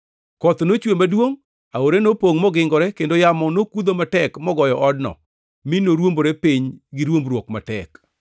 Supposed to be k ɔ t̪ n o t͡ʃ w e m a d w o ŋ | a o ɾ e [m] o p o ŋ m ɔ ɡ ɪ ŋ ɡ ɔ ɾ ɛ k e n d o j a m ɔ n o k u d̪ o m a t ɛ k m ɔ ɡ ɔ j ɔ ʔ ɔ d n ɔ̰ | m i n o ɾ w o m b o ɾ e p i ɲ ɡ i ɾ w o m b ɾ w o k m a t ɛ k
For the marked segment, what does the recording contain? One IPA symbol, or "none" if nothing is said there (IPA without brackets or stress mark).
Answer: n